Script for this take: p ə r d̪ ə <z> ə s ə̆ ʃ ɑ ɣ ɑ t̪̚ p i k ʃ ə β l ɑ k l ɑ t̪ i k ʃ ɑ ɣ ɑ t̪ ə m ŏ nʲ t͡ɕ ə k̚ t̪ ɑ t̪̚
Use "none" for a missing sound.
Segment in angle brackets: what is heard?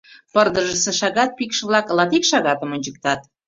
ʒ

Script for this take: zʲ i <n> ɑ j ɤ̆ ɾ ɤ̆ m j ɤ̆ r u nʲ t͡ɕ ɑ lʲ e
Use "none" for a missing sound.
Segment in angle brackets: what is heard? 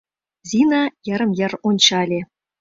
n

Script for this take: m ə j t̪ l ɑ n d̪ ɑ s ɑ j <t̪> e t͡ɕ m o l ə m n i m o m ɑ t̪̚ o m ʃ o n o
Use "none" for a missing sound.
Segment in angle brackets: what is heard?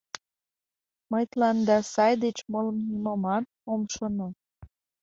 d̪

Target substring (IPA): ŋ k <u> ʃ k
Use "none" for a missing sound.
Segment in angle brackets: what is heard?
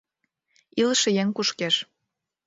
u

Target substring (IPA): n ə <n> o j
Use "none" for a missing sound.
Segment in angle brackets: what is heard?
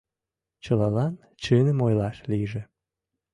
m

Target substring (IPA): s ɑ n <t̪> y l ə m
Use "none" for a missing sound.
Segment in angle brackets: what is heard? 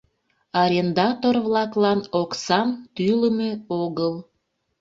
t̪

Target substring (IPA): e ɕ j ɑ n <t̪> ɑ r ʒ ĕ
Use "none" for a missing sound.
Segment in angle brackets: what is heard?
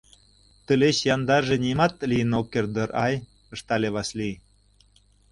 d̪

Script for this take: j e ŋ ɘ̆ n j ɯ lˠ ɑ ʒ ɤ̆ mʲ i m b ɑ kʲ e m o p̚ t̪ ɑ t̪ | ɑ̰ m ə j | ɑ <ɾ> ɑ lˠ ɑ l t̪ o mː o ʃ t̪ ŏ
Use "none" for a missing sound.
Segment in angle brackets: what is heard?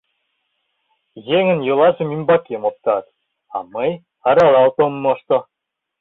ɾ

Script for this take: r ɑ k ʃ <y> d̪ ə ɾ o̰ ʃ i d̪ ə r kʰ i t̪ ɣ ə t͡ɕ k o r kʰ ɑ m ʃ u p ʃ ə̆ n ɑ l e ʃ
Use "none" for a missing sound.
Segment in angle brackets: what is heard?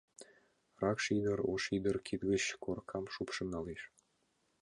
i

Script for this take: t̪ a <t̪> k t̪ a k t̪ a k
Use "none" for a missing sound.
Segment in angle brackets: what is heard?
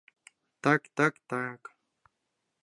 none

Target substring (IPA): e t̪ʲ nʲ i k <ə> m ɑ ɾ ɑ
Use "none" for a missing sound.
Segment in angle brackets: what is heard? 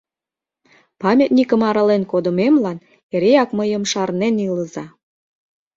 ə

